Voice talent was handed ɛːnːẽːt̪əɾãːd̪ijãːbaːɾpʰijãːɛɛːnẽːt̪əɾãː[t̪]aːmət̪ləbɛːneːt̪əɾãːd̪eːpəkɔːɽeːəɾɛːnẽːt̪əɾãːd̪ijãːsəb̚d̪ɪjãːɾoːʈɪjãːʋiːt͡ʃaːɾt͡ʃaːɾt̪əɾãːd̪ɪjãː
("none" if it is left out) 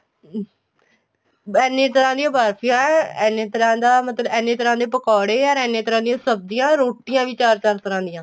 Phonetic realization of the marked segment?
d̪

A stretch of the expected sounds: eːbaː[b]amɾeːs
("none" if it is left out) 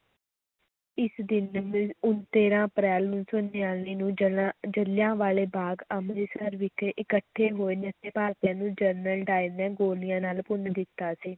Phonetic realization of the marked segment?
ɡ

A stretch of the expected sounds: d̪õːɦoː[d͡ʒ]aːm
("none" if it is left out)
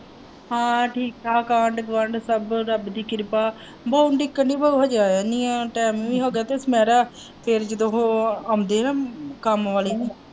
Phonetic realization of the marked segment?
none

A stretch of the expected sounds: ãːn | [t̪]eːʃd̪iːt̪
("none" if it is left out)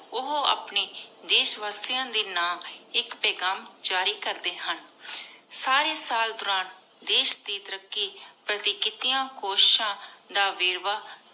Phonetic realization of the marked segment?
d̪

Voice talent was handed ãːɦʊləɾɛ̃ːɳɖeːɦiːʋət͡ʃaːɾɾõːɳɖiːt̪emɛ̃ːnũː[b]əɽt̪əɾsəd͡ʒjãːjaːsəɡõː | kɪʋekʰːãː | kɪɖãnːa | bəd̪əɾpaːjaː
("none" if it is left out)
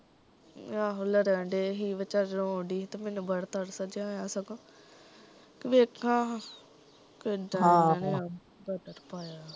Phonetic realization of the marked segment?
b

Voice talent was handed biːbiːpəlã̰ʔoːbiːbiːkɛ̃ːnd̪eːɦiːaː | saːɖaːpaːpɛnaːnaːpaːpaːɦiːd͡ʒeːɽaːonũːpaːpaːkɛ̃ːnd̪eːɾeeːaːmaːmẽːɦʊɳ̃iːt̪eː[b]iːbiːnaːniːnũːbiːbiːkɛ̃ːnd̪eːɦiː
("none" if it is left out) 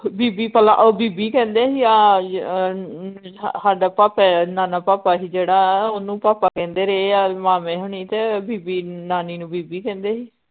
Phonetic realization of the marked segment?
b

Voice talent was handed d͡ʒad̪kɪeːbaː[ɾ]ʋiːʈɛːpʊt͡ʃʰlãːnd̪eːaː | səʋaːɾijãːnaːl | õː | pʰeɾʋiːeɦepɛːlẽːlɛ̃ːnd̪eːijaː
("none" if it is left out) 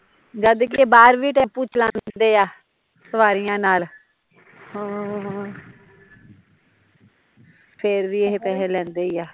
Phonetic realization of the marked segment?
ɾ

